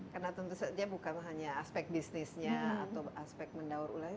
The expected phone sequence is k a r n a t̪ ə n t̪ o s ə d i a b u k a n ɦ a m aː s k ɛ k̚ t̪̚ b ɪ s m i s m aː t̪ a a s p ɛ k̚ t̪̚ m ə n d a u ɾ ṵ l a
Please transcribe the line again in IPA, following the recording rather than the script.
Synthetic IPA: k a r n a t̪ ə n t̪ u s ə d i a b u k a n ɦ a ɲ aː s p ɛ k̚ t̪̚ b i s n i s ɲ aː t̪ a a s p ɛ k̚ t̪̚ m ə n d a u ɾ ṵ l a